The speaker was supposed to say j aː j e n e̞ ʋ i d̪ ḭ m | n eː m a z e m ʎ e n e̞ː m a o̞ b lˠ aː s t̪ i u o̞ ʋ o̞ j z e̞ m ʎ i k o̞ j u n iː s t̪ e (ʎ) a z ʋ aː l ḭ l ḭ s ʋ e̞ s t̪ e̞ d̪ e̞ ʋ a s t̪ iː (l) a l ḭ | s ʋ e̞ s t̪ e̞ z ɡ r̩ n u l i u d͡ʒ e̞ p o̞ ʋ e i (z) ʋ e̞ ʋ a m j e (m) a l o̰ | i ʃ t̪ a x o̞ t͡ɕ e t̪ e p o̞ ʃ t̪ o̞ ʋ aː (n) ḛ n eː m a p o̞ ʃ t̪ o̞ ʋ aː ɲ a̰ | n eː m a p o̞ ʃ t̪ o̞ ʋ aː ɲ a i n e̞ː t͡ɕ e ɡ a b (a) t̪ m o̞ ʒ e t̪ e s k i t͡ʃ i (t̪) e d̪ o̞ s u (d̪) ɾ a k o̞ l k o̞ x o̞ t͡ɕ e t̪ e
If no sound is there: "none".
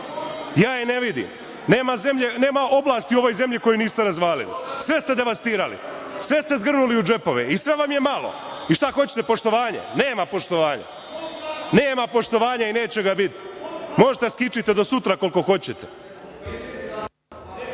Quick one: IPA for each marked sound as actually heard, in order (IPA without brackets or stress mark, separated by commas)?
ɾ, ɾ, s, m, ɲ, i, t̪, t̪